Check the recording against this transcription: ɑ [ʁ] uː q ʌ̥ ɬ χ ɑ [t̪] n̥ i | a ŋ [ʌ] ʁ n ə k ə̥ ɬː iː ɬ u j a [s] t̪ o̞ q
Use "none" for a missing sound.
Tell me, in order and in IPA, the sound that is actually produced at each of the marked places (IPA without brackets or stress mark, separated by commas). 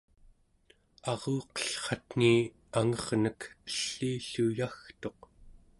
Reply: ʁ, t̪, ʌ, x